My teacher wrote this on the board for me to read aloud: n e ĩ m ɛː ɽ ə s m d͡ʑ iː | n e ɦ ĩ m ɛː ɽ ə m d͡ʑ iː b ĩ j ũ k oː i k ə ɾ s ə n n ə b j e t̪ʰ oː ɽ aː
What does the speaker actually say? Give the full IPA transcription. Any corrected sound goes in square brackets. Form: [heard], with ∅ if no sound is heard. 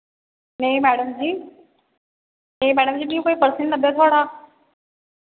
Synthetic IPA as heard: n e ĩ m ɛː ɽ ə [∅] m d͡ʑ iː | n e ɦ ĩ m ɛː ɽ ə m d͡ʑ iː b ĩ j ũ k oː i [p] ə ɾ s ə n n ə b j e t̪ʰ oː ɽ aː